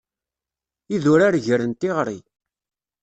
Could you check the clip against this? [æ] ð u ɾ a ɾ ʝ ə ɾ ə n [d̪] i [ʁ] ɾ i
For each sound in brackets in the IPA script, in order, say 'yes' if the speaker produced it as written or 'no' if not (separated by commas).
no, no, yes